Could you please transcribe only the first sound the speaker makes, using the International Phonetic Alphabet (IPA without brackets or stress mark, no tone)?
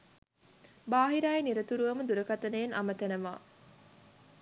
b